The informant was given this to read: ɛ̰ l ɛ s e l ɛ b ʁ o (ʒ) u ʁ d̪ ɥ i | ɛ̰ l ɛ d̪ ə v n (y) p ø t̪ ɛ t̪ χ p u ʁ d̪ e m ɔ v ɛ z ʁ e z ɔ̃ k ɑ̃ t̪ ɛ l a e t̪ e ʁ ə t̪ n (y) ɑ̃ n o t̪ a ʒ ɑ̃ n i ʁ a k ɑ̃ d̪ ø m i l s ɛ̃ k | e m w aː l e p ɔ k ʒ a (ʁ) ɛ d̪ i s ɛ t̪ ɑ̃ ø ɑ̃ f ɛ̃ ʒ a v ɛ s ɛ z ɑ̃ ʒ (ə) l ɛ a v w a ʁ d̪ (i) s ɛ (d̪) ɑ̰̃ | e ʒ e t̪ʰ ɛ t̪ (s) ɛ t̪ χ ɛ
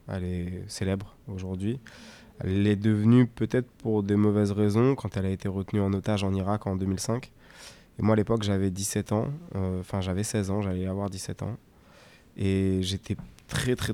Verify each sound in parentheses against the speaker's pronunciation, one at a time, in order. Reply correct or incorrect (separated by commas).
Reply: correct, correct, correct, incorrect, incorrect, correct, incorrect, incorrect